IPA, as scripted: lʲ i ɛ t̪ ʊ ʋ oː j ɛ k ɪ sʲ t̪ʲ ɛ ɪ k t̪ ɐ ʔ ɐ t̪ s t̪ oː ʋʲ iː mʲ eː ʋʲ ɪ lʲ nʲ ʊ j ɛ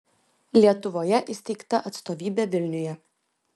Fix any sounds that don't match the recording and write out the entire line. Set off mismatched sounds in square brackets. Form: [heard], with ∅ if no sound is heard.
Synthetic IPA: lʲ i ɛ t̪ ʊ ʋ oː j ɛ [ʔ] ɪ sʲ t̪ʲ ɛ ɪ k t̪ ɐ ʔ ɐ t̪ s t̪ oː ʋʲ iː [bʲ] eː ʋʲ ɪ lʲ nʲ ʊ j ɛ